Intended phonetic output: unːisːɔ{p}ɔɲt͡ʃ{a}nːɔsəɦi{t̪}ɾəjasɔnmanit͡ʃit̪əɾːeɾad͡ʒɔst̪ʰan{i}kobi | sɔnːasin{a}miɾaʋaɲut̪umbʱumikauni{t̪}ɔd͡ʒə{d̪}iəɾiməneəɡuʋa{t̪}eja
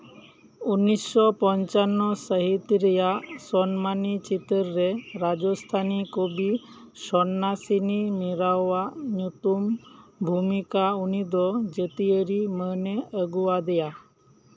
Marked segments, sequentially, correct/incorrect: correct, correct, correct, correct, incorrect: i, incorrect: d̪, incorrect: t̪, incorrect: d̪

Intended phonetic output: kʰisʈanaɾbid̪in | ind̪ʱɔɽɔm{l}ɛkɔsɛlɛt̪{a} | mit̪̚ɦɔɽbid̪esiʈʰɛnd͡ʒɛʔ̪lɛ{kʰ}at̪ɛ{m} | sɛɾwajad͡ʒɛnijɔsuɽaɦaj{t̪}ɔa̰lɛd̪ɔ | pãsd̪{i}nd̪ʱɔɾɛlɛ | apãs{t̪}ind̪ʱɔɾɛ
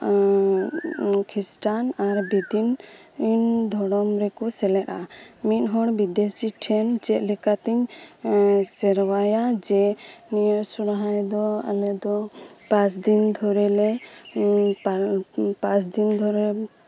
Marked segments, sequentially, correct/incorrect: incorrect: ɾ, correct, incorrect: k, incorrect: ɲ, incorrect: d̪, correct, incorrect: d̪

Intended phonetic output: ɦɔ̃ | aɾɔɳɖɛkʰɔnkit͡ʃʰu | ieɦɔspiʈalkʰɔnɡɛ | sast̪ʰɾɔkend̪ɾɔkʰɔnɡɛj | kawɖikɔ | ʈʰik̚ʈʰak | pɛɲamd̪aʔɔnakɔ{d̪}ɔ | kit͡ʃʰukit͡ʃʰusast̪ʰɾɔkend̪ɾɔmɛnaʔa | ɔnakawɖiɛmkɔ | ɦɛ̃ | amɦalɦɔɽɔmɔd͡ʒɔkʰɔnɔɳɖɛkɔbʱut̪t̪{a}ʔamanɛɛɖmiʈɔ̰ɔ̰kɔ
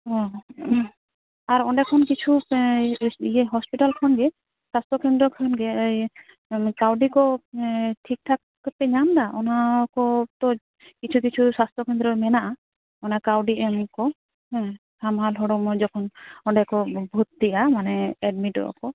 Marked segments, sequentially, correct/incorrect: incorrect: t̪, incorrect: i

